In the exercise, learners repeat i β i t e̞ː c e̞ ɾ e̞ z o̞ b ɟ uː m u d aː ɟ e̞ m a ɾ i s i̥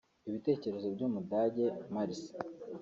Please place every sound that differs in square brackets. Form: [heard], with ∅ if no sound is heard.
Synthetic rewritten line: i β i t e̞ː c e̞ ɾ e̞ z o̞ b ɟ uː m u d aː ɟ e̞ m a ɾ i s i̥